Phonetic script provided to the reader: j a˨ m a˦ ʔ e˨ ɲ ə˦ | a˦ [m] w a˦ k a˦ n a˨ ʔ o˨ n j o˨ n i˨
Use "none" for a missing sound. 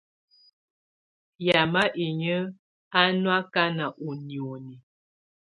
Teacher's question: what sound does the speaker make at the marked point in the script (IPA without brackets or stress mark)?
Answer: n